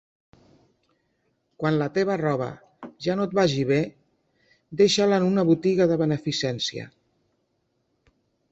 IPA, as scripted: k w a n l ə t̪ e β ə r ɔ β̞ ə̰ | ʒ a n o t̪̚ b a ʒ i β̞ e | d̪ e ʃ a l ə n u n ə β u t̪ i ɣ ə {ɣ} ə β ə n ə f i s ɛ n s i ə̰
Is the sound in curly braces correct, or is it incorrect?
incorrect: ð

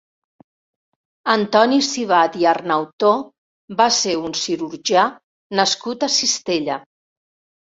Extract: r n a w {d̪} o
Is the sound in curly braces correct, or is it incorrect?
incorrect: t̪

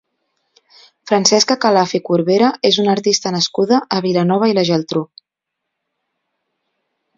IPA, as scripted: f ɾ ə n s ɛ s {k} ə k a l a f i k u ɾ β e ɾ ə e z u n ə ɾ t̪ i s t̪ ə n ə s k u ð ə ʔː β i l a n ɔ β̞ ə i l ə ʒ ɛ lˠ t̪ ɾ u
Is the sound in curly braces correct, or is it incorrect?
correct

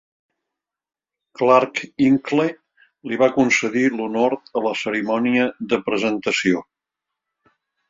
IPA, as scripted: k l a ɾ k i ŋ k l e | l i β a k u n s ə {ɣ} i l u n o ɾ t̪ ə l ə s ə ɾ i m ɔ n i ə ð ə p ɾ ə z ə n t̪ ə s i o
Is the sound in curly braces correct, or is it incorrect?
incorrect: ð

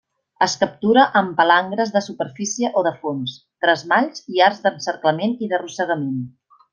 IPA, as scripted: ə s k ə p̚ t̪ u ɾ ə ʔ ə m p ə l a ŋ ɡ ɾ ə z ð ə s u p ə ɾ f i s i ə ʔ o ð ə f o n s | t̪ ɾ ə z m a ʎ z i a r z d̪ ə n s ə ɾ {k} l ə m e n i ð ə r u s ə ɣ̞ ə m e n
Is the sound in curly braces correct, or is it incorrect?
correct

